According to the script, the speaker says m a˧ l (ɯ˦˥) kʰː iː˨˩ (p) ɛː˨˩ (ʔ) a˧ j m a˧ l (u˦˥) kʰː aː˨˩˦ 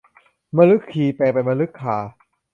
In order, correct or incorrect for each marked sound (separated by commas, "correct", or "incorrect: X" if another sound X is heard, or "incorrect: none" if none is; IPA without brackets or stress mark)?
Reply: correct, correct, incorrect: p, incorrect: ɯ˦˥